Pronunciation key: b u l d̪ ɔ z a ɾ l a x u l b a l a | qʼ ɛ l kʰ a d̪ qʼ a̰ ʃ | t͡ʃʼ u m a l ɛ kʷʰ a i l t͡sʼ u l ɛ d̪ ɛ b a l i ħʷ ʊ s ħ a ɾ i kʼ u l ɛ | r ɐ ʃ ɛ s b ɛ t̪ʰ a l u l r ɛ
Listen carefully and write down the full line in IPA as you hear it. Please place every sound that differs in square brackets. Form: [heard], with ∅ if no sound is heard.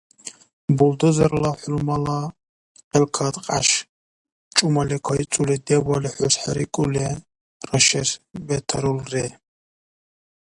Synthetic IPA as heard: b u l d̪ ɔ z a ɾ l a [ħ] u l [m] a l a | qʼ ɛ l kʰ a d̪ qʼ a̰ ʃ | t͡ʃʼ u m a l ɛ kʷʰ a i [∅] t͡sʼ u l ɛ d̪ ɛ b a l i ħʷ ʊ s ħ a ɾ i kʼ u l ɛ | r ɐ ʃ ɛ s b ɛ t̪ʰ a [ɾ] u l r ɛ